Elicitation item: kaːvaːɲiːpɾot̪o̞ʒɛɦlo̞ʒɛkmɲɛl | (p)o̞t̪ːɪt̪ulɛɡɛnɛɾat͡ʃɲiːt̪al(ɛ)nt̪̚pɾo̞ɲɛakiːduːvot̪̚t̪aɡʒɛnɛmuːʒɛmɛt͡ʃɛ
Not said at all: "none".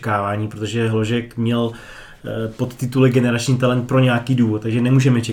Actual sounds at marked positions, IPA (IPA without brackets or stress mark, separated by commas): p, ɛ